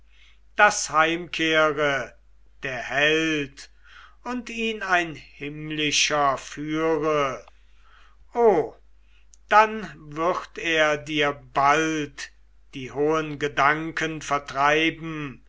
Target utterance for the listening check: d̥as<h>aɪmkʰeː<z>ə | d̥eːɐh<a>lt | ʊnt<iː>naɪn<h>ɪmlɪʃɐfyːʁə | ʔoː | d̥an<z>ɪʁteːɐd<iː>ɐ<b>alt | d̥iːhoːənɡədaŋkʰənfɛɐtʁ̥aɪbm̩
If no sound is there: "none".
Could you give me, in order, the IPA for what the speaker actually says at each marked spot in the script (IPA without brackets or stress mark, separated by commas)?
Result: h, ʁ, ɛ, iː, h, v, iː, b